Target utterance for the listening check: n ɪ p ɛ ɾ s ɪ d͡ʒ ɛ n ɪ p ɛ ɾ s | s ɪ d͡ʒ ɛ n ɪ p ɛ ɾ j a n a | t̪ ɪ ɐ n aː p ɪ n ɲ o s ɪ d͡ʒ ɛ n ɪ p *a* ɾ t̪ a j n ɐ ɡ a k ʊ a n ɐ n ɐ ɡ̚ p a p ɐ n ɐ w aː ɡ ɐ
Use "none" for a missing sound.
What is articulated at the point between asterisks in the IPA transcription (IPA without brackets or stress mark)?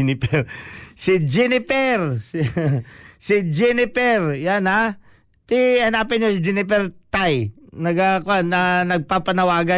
ɛ